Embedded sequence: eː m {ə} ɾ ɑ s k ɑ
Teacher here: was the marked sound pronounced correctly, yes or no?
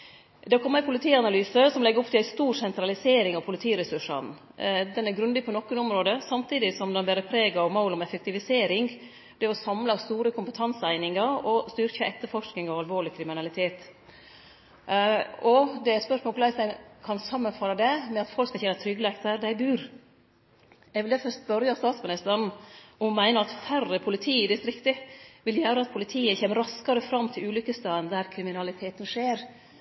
yes